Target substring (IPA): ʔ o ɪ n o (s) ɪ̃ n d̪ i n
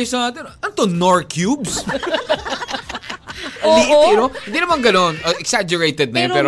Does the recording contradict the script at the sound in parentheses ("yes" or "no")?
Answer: yes